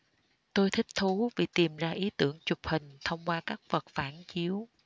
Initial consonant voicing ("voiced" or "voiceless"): voiceless